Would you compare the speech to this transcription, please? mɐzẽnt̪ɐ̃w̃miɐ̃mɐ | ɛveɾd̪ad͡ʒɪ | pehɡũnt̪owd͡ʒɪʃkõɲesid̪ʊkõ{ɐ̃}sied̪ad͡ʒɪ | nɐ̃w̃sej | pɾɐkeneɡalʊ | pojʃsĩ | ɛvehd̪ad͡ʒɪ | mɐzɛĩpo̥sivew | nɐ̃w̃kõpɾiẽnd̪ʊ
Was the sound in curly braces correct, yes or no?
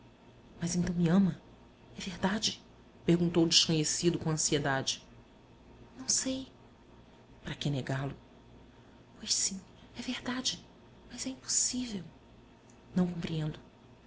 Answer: yes